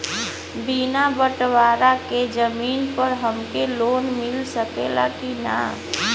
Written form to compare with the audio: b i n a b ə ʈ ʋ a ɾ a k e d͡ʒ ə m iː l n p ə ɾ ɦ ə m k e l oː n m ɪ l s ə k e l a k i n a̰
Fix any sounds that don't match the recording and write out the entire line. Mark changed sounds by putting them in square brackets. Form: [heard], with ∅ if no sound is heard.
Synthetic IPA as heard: b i n a b ə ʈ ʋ a ɾ a k e d͡ʒ ə m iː [∅] n p ə ɾ ɦ ə m k e l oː n m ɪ l s ə k e l a k i n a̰